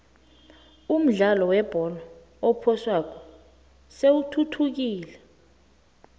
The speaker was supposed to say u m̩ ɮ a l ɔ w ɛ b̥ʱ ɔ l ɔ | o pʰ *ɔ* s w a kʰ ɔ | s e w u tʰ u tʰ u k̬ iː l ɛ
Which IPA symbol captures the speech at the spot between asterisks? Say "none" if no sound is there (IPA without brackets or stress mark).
ɔ